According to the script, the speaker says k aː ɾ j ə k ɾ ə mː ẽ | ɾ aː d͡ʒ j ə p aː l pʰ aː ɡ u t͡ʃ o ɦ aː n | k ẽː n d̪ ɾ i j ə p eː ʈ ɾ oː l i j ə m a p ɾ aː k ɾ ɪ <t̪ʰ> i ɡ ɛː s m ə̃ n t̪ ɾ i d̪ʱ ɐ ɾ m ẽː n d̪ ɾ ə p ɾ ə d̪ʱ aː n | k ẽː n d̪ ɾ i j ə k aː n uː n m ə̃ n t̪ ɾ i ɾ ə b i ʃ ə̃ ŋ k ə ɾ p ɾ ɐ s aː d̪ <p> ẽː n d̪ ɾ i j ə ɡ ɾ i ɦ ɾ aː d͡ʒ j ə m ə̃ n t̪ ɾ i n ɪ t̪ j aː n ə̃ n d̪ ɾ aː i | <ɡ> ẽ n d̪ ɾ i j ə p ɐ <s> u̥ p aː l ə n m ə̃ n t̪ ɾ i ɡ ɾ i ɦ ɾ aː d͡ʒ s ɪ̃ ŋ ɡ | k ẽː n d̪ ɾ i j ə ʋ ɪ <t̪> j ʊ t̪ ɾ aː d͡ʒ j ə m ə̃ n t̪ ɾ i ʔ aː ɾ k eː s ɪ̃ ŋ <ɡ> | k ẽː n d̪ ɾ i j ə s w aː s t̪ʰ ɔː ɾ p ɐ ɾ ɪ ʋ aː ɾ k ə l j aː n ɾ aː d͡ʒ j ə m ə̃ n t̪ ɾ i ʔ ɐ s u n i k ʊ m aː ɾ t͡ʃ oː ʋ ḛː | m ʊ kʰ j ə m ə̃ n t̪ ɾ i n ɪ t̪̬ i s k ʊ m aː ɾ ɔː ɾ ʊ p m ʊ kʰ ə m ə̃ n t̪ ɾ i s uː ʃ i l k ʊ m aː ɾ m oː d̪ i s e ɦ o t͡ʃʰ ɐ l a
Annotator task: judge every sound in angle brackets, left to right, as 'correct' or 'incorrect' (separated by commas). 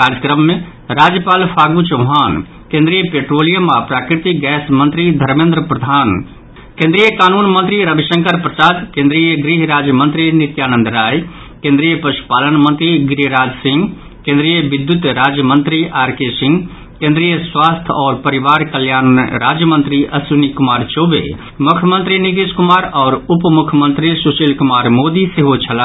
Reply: incorrect, incorrect, incorrect, incorrect, incorrect, correct